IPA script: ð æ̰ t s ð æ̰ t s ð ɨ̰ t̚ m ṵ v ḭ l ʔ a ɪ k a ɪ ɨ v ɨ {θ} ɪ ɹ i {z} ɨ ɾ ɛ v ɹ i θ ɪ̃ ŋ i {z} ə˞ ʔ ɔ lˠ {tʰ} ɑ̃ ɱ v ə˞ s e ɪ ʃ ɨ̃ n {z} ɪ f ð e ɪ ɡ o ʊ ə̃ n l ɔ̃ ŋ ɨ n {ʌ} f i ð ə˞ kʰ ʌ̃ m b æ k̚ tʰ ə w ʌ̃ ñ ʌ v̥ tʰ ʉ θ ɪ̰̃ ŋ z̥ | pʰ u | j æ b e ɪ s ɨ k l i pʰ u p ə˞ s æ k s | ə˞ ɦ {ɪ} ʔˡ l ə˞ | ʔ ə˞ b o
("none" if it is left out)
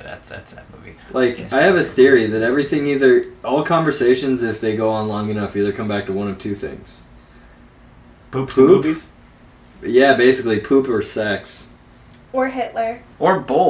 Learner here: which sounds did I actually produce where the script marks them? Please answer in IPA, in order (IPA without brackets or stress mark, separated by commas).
θ, ð, ð, kʰ, z, ʌ, ɪ